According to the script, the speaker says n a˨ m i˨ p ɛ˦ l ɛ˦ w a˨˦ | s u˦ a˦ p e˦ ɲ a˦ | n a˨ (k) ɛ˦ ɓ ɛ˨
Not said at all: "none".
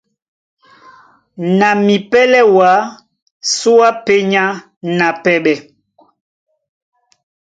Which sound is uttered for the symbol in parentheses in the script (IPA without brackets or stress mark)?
p